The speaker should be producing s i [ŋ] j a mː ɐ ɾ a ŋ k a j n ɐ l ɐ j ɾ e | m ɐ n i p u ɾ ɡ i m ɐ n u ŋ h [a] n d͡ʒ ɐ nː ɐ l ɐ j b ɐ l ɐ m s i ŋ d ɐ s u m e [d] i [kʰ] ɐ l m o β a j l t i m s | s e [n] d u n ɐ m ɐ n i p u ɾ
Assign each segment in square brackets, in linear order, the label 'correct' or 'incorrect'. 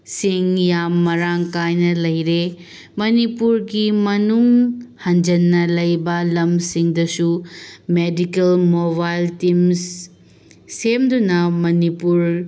correct, incorrect: ɐ, correct, incorrect: k, incorrect: m

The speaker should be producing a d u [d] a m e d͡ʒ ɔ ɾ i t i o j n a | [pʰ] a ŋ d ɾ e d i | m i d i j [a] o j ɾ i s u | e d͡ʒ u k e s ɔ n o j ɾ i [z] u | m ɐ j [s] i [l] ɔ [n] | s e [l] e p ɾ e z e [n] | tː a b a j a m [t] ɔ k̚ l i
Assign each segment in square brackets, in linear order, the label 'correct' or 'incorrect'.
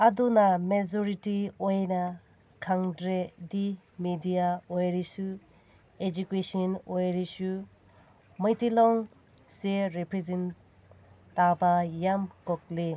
incorrect: n, incorrect: kʰ, correct, incorrect: s, incorrect: t, correct, incorrect: ŋ, incorrect: ɾ, correct, incorrect: k

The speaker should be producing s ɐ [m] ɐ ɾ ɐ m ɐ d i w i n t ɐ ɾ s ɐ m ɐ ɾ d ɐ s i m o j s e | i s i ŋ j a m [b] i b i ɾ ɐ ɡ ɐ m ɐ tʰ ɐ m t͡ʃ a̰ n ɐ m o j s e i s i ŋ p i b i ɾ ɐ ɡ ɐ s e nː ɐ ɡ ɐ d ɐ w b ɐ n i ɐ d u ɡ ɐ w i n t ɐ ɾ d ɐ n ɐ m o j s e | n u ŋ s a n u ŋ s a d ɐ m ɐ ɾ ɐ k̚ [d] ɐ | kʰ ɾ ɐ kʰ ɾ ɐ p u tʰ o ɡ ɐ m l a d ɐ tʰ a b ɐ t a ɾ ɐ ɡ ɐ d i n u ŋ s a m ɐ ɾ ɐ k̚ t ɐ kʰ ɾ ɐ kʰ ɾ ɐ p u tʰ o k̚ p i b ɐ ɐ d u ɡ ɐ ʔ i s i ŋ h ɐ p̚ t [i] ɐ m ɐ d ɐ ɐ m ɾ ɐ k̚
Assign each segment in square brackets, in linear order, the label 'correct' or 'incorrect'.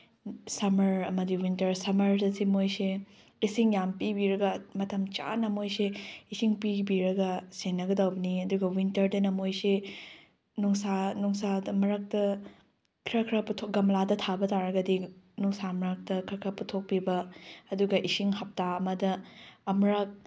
correct, incorrect: p, incorrect: t, incorrect: a

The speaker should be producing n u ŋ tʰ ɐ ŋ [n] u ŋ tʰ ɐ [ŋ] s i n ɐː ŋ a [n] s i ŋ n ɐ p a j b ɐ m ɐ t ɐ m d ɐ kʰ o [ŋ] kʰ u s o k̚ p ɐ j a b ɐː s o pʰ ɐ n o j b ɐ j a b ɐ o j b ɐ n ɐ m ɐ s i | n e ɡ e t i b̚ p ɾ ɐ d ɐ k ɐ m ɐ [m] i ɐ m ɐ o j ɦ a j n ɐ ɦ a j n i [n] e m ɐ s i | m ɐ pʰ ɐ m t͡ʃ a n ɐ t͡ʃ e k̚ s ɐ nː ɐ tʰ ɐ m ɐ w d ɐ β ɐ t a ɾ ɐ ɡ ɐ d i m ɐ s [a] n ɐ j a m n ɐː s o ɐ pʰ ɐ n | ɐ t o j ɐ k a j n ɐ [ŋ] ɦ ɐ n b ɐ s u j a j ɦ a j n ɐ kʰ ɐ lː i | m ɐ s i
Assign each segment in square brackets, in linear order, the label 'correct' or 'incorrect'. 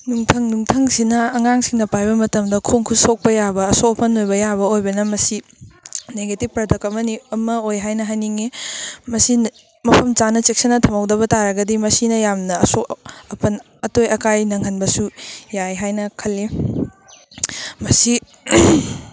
correct, correct, incorrect: ŋ, correct, incorrect: n, incorrect: ŋ, incorrect: i, correct

